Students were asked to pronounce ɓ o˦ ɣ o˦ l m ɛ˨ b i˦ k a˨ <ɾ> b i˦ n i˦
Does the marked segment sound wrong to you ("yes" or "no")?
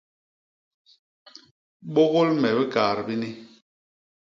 no